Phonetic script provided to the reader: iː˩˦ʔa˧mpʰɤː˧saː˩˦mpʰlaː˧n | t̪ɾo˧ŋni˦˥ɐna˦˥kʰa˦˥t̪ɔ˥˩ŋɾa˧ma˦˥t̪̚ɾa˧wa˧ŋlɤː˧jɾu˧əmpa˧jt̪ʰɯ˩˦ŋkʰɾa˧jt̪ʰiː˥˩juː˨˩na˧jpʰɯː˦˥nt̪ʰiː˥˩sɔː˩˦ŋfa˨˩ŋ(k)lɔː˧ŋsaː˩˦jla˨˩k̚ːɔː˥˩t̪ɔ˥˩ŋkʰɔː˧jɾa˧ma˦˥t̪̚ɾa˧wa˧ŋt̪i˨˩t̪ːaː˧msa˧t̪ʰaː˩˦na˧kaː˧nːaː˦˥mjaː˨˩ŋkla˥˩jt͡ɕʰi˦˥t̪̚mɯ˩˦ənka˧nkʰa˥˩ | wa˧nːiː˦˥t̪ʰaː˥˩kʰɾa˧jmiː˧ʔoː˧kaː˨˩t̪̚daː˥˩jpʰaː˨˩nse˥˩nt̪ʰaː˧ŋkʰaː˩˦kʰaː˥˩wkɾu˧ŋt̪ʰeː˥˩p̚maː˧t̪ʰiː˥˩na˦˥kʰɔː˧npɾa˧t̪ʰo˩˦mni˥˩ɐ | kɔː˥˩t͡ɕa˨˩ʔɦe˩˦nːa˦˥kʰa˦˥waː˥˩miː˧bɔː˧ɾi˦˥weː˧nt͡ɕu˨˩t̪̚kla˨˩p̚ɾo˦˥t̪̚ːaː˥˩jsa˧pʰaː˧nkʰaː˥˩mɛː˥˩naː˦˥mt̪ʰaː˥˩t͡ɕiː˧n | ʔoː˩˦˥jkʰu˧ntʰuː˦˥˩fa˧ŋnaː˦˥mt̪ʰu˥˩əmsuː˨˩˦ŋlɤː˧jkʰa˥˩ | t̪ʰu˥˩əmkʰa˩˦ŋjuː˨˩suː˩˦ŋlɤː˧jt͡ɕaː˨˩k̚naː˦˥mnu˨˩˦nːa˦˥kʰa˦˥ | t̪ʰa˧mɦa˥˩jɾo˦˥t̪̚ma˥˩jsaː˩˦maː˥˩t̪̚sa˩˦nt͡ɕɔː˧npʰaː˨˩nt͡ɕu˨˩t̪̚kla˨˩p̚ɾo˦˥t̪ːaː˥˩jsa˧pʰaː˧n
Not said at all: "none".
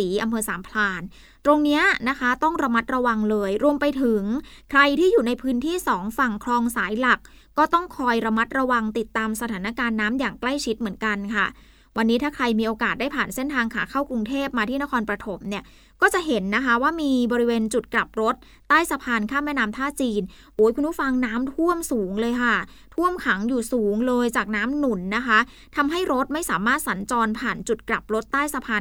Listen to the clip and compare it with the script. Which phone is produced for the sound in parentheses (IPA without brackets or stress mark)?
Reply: kʰ